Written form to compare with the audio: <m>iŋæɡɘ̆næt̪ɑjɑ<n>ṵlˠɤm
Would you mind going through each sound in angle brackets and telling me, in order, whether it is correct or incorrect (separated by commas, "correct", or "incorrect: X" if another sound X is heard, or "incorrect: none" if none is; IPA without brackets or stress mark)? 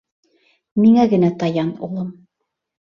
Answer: correct, correct